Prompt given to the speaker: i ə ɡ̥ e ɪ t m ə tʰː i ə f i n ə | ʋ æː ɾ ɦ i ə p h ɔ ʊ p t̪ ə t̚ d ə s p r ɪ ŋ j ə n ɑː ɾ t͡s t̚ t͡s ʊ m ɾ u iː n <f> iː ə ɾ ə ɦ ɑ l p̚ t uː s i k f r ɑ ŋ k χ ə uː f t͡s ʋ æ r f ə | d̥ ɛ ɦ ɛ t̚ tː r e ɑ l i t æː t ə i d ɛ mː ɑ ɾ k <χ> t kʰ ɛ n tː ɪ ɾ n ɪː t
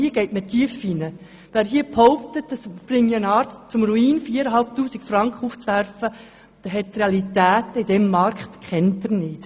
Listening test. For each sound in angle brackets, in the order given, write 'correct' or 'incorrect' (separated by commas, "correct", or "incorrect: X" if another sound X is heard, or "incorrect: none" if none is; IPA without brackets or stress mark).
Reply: correct, correct